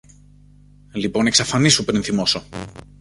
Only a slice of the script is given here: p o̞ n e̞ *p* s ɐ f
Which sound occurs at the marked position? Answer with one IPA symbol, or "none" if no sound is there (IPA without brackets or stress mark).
k